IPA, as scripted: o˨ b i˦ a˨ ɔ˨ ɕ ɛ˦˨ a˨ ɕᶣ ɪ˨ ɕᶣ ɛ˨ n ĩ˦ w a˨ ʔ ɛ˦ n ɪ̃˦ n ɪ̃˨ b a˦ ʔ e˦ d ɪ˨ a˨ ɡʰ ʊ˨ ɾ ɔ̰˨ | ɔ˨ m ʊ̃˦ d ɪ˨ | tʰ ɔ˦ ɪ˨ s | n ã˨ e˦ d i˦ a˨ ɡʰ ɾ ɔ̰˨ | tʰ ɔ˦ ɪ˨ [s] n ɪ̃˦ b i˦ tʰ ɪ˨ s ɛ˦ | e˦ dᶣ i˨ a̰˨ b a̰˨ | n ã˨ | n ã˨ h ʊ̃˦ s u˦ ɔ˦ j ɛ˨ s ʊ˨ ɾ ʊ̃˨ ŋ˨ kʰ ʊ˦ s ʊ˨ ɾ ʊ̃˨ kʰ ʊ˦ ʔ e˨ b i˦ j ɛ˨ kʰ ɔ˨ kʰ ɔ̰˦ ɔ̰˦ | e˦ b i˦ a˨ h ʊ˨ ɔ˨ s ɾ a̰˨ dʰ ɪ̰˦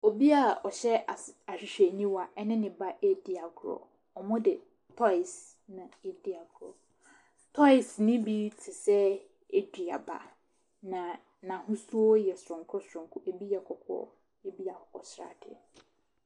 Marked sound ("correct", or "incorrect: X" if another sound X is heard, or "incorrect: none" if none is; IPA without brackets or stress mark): correct